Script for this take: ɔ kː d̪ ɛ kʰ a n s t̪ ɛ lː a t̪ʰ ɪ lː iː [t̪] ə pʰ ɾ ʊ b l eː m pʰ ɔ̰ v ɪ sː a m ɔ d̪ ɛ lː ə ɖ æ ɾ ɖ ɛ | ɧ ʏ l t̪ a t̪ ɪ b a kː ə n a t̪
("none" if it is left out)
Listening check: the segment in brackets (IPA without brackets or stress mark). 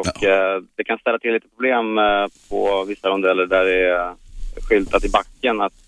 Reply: t̪